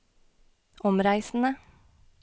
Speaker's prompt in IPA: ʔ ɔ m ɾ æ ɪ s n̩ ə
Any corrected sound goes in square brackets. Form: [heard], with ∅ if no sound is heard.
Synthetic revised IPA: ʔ ɔ m ɾ æ ɪ s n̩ ə